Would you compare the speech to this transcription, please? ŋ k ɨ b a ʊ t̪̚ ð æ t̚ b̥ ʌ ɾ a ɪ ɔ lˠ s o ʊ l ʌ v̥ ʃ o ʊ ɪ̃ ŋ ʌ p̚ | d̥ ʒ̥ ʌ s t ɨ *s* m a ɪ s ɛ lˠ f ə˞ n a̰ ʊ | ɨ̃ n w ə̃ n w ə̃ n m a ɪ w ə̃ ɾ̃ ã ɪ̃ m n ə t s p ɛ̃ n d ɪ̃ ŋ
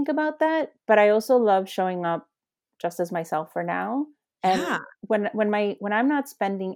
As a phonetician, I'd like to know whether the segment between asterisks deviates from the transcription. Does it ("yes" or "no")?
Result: yes